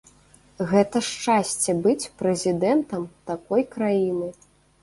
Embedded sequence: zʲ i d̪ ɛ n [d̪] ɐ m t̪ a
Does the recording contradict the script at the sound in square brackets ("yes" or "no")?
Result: yes